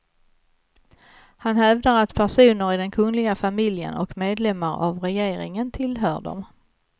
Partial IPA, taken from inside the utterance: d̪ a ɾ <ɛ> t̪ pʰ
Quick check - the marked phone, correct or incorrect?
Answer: incorrect: a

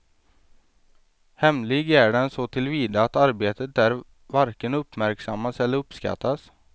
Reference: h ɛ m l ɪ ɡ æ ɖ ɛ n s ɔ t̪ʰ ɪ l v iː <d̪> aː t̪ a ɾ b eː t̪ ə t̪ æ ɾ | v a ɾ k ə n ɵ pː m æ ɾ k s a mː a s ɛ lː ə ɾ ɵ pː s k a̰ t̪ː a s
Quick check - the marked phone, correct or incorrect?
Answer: correct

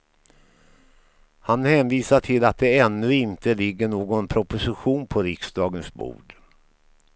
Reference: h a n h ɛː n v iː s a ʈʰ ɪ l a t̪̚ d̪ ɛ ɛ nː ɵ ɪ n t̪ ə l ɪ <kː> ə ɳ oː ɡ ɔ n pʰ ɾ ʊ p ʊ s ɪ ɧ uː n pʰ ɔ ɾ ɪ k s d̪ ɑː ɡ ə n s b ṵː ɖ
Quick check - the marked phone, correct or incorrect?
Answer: incorrect: ɡː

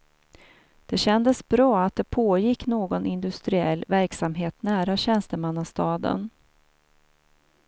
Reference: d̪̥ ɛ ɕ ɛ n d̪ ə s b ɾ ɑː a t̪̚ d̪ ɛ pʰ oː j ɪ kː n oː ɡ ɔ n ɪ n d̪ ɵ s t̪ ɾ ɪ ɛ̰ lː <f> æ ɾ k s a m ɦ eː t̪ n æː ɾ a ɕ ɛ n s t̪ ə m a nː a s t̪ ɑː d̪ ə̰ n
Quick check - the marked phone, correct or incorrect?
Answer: incorrect: v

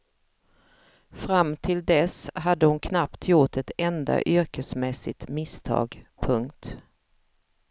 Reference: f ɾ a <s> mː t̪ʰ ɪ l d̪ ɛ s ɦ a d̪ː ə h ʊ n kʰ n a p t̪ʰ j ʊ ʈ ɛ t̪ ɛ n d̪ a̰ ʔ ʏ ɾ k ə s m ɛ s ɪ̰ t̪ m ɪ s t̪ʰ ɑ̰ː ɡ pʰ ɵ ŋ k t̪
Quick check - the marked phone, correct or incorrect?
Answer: incorrect: none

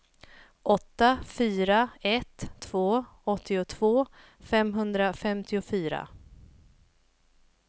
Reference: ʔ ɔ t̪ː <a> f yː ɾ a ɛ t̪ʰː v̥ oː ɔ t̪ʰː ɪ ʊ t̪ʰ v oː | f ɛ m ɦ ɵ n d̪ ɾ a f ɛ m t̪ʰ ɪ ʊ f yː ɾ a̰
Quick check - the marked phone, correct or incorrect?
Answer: correct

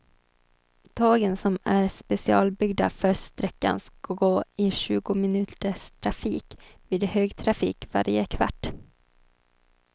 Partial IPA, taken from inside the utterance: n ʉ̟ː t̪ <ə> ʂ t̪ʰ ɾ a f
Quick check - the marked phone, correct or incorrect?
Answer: correct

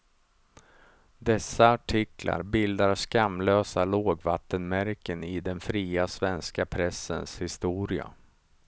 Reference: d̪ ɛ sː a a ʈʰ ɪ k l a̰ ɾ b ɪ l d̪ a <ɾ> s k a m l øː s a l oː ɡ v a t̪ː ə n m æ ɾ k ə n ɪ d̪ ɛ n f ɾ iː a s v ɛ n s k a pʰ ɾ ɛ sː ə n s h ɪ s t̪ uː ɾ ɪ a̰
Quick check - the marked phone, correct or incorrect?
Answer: correct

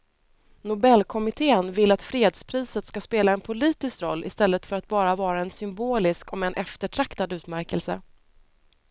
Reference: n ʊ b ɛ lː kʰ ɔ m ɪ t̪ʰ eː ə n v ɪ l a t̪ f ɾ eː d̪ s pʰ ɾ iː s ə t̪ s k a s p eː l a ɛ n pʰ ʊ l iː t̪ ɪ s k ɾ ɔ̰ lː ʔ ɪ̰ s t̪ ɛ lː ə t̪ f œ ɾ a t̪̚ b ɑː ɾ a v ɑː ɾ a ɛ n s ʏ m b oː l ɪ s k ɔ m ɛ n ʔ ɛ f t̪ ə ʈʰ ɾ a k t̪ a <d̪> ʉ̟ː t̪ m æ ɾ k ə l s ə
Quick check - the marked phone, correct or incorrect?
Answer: correct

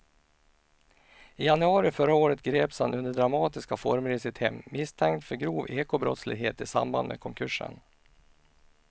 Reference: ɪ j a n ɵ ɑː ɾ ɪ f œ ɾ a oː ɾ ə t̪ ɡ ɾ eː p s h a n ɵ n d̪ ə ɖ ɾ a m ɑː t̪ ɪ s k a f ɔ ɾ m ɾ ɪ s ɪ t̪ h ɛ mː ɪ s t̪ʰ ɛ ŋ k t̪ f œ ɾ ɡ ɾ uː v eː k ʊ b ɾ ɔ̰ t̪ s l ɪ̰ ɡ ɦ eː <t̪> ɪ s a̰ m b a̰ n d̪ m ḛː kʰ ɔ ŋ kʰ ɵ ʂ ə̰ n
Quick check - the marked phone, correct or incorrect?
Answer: correct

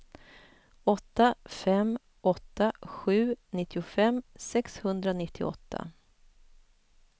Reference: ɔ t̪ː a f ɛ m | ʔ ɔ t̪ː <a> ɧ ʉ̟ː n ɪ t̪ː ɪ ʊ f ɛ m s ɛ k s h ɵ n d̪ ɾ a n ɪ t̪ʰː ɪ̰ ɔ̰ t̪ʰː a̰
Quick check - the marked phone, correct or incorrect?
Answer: correct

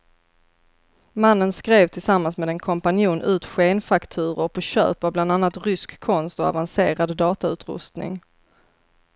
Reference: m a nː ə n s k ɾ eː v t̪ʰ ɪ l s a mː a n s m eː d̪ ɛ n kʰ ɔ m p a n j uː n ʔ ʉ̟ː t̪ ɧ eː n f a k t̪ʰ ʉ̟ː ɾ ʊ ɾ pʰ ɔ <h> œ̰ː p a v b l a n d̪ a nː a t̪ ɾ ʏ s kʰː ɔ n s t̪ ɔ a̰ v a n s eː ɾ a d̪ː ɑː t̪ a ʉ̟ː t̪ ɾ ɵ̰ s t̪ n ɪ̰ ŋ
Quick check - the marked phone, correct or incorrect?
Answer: incorrect: ɕ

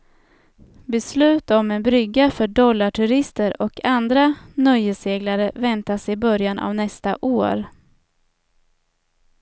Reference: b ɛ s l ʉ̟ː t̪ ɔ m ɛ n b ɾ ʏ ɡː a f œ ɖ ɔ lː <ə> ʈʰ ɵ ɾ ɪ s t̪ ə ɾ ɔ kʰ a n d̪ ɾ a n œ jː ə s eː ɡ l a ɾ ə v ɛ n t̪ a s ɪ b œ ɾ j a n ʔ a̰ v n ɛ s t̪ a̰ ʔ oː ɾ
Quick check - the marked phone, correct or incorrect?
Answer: incorrect: a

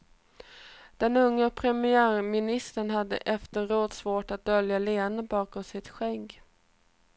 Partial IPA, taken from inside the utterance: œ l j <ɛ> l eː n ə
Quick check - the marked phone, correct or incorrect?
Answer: incorrect: a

